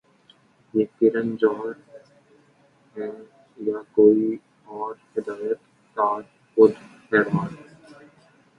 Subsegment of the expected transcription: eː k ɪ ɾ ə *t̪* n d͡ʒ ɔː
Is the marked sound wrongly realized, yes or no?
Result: yes